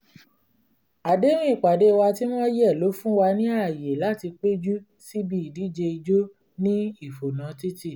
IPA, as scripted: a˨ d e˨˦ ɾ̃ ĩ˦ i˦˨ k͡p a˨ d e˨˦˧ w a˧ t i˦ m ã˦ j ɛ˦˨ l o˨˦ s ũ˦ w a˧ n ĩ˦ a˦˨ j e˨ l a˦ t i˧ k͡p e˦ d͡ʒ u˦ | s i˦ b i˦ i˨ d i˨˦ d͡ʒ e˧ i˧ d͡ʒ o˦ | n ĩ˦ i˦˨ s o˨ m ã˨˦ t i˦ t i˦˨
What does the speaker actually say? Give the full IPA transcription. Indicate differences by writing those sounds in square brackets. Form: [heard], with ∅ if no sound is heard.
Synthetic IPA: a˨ d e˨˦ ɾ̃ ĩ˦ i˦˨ k͡p a˨ d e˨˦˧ w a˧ t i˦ m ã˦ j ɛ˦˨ l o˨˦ [f] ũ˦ w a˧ n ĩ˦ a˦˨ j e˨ l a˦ t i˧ k͡p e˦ d͡ʒ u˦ | s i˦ b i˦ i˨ d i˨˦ d͡ʒ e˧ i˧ d͡ʒ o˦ | n ĩ˦ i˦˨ [f] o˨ [n] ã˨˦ t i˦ t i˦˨